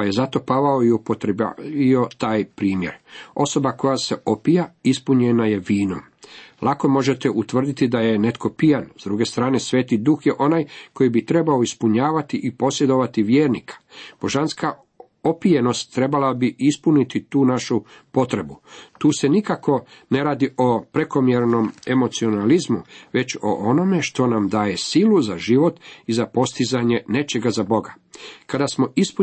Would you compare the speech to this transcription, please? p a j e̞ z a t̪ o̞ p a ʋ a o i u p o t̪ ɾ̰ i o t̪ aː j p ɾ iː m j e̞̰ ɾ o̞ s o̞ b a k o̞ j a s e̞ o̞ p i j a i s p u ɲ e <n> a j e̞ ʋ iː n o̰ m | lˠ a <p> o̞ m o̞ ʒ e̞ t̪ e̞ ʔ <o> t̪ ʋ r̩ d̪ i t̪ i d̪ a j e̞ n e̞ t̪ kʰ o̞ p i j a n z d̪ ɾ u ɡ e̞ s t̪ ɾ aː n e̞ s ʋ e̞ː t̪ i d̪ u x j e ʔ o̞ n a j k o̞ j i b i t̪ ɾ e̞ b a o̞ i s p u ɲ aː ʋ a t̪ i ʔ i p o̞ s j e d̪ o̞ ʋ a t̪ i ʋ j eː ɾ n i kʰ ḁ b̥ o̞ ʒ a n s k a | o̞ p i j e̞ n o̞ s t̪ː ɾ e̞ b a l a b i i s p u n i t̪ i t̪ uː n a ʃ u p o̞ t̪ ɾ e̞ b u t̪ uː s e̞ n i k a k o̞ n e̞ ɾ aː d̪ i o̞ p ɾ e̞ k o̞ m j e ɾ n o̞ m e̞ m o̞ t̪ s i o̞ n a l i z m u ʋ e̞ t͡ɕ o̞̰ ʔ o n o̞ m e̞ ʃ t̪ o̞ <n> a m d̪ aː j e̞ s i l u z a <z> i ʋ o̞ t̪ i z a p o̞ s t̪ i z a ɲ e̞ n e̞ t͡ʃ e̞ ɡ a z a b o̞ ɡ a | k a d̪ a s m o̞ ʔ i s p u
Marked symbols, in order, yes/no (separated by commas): yes, no, no, yes, no